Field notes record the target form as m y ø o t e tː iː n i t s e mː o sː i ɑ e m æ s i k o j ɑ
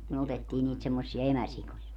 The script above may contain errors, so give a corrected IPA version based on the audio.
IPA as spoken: m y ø o t e tː iː n iː t s e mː o sː i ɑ e m æ s i k o j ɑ